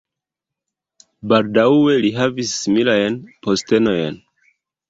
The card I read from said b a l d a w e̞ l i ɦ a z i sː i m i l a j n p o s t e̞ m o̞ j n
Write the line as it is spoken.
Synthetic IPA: b a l d a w e̞ l i ɦ a v i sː i m i l a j n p o s t e̞ n o̞ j n